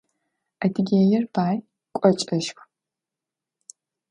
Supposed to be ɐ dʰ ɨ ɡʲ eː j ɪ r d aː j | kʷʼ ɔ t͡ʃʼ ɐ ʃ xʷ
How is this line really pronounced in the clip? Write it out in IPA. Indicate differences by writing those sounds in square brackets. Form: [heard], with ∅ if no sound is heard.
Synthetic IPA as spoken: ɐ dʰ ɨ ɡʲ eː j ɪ r [b] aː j | kʷʼ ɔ t͡ʃʼ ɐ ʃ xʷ